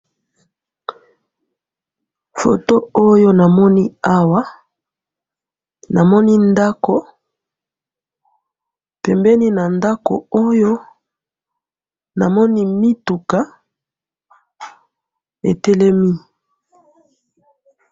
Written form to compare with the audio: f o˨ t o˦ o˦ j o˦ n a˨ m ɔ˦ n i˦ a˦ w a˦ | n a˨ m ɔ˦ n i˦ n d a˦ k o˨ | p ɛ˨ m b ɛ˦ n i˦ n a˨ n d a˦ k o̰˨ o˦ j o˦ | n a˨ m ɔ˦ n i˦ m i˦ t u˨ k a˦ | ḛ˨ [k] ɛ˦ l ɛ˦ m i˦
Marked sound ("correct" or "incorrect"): incorrect